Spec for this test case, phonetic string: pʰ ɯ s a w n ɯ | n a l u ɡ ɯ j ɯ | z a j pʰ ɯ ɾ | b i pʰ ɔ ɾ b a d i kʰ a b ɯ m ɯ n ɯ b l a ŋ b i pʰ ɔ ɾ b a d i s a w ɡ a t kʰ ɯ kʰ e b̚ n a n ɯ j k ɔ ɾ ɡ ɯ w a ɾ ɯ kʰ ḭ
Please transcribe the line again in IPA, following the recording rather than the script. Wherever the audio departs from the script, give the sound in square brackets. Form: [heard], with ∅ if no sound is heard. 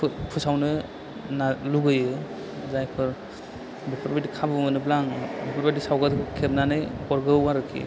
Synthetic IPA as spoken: pʰ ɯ s a w n ɯ | n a l u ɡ ɯ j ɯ | z a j pʰ ɯ ɾ | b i pʰ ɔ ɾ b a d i kʰ a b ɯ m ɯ n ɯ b l a ŋ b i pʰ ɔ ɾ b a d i s a w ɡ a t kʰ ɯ kʰ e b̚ n a n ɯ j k ɔ ɾ ɡ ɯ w a ɾ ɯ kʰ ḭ

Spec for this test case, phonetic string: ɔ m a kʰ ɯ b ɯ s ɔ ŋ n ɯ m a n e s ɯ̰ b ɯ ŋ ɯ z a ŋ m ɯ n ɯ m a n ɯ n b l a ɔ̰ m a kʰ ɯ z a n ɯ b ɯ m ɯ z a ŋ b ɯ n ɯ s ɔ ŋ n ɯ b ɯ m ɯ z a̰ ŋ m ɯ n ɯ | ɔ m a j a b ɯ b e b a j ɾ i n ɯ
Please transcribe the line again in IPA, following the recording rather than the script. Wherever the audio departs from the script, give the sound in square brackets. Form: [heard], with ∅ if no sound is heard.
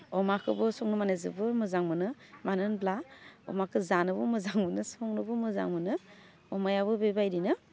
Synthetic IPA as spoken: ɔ m a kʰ ɯ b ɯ s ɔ ŋ n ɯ m a n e [z] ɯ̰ b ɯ [m] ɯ z a ŋ m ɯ n ɯ m a n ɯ n b l a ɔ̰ m a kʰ ɯ z a n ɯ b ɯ m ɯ z a ŋ [m] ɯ n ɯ s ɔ ŋ n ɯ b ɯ m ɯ z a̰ ŋ m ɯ n ɯ | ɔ m a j a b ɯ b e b a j ɾ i n ɯ

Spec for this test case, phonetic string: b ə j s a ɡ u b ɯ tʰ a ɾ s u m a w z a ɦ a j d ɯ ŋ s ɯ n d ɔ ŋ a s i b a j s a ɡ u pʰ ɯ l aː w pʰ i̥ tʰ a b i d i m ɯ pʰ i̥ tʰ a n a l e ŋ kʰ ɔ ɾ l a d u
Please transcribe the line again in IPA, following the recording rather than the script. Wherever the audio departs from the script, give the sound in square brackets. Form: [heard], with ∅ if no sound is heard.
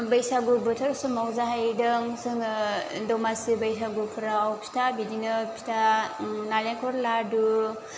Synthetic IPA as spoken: b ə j s a ɡ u b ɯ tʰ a ɾ s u m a w z a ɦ a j d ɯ ŋ s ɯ [ŋ] d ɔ [m] a s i b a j s a ɡ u pʰ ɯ [ɾ] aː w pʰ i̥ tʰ a b i d i [n] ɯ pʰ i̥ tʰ a n a l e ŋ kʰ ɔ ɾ l a d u

